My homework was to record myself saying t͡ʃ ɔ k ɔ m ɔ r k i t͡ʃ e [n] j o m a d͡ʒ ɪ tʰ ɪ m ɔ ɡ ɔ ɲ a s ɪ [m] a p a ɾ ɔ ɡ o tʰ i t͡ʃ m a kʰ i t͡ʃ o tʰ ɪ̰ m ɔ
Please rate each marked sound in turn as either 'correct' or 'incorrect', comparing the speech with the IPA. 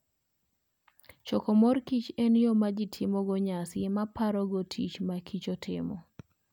correct, correct

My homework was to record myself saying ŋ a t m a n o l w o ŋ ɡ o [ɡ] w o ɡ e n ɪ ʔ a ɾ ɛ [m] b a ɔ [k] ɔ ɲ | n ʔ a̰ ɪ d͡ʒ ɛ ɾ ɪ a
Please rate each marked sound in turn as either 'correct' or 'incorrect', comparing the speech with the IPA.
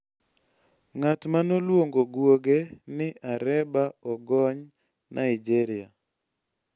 correct, incorrect: none, incorrect: ɡ

